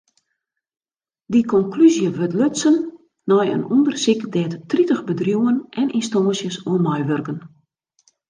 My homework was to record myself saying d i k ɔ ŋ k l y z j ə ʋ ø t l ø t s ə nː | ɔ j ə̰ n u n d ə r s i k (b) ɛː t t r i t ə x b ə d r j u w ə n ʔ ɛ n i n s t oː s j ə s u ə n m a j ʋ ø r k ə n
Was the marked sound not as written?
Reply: yes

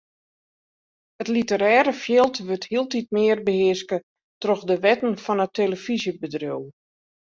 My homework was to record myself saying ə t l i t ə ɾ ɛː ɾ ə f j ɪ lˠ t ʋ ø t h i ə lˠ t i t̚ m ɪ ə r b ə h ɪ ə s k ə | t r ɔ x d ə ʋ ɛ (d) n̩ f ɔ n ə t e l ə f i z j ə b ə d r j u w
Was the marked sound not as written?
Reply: yes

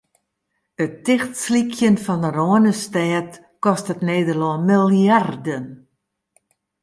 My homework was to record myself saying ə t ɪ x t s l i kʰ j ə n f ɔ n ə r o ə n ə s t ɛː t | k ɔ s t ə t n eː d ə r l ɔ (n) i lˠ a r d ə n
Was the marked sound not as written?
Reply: yes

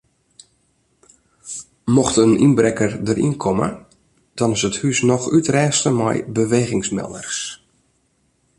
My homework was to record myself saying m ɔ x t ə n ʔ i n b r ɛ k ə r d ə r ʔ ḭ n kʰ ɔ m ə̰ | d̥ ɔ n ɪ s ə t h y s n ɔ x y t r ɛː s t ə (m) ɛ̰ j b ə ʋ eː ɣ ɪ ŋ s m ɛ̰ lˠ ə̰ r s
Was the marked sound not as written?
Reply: no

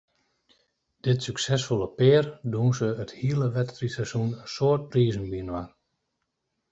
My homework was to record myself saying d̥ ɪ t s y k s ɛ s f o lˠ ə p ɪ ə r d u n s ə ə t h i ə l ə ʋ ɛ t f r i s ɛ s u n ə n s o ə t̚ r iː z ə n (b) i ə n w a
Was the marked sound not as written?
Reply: no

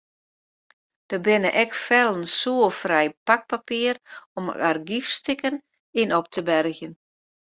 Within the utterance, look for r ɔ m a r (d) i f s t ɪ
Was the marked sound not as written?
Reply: yes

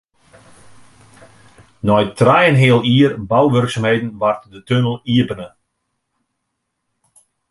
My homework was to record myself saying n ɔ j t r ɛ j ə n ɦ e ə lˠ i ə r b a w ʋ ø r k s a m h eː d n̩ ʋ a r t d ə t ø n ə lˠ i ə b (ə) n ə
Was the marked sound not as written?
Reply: no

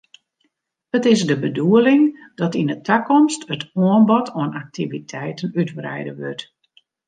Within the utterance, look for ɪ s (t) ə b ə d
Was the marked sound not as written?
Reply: yes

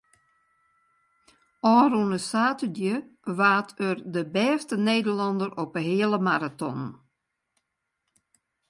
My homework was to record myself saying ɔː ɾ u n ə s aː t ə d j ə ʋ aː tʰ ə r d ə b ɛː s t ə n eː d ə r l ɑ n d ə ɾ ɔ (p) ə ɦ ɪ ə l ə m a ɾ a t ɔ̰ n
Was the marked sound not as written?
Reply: no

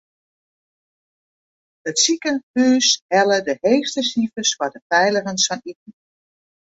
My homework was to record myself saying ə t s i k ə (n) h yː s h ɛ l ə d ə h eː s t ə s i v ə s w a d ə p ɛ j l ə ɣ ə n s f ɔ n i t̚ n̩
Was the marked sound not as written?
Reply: no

